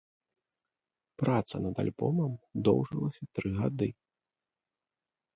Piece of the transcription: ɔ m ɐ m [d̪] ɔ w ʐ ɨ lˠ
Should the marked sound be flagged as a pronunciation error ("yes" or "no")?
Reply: no